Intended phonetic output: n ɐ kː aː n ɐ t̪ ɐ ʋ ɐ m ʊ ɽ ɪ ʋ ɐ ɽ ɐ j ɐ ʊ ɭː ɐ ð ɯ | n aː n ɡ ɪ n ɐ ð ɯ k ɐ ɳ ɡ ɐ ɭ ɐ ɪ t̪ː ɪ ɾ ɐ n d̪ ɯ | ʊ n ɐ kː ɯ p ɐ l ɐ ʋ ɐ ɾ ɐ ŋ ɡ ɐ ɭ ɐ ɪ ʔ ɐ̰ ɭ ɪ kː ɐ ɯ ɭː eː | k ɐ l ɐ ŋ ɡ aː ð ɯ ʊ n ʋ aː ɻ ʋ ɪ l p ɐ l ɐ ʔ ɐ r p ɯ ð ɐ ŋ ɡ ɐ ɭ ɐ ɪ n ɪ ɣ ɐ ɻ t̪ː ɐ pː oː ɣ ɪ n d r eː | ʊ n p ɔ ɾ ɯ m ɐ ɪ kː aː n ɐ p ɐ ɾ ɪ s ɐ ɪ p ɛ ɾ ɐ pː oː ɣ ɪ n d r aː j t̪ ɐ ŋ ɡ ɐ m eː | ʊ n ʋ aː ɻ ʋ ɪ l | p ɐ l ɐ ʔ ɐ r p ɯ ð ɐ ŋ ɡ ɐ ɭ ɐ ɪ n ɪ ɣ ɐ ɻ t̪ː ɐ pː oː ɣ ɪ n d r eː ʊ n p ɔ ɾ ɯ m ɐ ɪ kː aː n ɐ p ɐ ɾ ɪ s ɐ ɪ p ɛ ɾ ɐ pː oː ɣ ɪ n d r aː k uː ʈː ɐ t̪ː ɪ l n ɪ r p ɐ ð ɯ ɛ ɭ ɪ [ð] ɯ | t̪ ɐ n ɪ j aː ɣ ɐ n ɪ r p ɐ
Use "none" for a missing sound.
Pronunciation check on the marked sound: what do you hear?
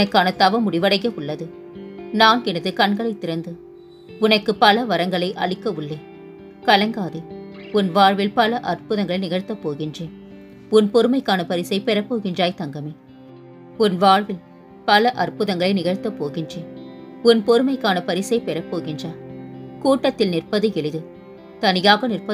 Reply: ð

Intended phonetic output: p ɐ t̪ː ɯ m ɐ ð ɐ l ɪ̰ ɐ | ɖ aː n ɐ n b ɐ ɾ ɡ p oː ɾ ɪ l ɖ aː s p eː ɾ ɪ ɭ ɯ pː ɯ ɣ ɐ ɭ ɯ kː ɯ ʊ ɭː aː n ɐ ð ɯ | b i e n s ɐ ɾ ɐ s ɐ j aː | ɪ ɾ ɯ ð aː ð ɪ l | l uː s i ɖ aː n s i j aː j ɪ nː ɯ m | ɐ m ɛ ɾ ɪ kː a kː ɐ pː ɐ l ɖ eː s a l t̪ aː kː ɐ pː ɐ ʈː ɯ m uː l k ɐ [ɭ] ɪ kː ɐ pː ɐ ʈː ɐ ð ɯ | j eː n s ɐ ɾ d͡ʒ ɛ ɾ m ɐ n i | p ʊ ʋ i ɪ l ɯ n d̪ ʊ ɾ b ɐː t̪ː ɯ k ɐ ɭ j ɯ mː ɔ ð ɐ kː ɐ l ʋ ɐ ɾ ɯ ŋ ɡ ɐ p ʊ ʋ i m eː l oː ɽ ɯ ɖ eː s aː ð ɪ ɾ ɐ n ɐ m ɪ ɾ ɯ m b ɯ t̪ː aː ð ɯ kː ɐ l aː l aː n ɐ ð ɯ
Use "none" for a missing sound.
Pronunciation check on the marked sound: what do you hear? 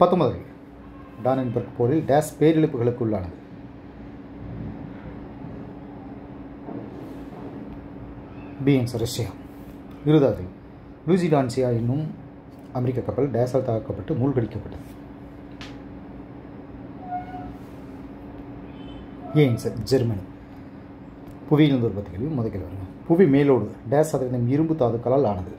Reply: ɽ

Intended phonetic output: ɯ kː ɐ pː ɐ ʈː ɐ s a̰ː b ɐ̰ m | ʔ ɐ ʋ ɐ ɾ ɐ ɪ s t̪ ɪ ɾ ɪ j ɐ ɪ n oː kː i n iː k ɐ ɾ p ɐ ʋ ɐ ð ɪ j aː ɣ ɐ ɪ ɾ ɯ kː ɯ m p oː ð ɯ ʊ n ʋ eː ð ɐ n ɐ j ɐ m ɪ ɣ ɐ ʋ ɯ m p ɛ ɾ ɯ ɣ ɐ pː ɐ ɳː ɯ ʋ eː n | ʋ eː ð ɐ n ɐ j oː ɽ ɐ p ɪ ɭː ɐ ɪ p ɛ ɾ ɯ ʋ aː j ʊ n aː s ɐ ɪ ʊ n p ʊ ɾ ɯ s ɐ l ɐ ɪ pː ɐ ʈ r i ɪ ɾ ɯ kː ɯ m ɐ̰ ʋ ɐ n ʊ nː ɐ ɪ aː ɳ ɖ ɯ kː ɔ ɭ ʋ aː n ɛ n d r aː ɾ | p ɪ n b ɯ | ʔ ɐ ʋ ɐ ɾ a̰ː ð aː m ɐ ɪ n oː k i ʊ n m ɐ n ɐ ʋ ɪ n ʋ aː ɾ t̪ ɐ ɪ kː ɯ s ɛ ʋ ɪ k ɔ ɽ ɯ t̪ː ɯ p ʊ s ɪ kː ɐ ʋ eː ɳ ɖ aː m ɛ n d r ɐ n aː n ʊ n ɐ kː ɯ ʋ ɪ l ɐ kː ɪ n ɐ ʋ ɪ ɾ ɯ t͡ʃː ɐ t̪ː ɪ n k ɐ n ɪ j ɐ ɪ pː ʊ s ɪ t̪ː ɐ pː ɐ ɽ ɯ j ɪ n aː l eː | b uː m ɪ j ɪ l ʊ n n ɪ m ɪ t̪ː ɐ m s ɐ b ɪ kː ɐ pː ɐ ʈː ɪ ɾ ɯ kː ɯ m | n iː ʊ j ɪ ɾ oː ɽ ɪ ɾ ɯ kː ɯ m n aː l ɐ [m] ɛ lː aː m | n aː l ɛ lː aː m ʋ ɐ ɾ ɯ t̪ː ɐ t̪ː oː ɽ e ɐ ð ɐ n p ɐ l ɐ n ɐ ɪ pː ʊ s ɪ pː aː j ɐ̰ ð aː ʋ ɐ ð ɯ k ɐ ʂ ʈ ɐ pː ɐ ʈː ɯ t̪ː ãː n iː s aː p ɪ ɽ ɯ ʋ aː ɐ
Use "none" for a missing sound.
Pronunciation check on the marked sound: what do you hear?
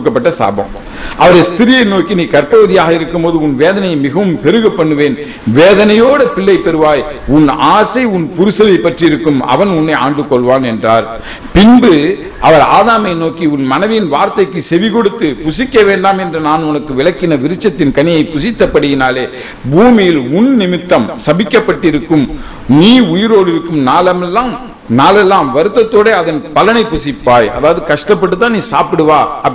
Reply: m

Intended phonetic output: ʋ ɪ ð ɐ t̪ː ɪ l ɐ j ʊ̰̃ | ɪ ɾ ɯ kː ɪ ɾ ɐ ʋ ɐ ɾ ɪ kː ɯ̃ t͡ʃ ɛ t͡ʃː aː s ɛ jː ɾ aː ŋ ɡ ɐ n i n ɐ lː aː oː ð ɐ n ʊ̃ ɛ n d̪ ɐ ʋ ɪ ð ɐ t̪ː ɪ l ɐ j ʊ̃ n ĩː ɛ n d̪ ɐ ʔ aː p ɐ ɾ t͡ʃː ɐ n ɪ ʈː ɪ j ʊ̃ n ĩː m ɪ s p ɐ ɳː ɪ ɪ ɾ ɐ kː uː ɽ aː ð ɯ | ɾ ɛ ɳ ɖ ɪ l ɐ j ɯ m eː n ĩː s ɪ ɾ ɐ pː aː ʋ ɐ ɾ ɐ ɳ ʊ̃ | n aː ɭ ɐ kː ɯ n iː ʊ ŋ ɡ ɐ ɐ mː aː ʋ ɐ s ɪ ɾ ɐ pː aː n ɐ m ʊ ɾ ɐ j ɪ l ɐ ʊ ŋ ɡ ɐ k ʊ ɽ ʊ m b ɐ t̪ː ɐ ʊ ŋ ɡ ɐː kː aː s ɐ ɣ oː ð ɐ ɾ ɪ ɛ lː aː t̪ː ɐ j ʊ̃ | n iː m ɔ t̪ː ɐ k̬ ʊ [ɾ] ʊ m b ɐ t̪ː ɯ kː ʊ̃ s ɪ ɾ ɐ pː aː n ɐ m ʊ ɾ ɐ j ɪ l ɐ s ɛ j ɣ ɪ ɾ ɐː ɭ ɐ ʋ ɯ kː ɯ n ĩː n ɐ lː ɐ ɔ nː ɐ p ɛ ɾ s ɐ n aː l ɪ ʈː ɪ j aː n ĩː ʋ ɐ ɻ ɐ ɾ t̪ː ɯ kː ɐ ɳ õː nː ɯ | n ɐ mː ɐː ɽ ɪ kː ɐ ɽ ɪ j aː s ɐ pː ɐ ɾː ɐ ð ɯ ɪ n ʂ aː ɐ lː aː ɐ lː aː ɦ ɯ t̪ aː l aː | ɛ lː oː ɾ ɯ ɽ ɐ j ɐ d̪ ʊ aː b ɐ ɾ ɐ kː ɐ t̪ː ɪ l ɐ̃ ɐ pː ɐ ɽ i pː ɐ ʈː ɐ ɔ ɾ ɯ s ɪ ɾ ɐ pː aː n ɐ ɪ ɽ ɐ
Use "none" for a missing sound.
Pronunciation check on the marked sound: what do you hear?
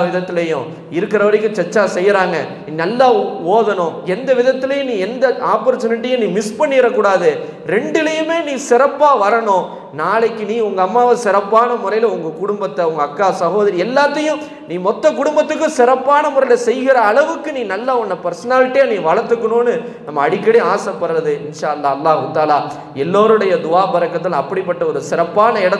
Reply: ɽ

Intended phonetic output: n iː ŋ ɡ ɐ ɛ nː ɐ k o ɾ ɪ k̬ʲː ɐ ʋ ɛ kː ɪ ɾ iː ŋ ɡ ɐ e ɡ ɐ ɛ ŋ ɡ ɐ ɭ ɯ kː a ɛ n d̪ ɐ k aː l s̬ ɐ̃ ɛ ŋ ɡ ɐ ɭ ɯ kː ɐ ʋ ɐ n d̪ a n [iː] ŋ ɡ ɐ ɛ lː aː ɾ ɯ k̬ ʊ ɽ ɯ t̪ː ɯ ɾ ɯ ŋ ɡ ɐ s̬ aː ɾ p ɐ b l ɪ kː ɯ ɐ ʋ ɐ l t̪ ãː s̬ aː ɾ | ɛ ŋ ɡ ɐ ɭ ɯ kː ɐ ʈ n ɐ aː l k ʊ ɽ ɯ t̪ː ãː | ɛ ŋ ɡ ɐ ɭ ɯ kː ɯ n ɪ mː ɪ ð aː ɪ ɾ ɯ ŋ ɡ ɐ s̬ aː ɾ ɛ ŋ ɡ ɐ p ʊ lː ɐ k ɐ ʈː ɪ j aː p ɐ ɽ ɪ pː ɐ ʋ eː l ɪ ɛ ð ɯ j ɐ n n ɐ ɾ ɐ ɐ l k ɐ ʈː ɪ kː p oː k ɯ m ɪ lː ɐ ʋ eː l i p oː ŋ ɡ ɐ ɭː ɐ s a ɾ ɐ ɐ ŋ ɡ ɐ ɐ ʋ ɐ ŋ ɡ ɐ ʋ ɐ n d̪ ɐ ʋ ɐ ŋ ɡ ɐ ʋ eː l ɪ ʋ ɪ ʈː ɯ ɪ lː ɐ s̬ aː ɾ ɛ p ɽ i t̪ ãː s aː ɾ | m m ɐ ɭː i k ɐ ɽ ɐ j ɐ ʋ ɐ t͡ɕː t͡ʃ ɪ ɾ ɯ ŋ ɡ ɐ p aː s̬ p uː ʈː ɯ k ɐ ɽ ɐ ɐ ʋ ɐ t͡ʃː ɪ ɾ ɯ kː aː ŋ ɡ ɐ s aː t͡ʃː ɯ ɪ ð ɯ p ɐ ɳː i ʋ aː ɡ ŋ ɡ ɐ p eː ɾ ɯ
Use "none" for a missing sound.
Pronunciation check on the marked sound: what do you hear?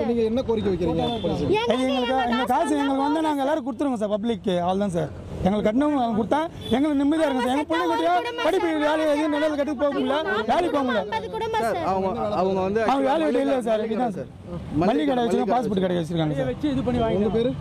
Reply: aː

